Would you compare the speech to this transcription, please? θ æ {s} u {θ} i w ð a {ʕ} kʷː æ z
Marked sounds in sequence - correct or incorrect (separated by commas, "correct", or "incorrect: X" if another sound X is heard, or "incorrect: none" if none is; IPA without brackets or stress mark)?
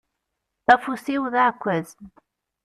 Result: incorrect: f, incorrect: s, correct